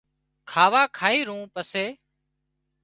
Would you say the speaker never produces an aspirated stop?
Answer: no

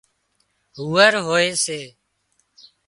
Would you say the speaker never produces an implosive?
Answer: yes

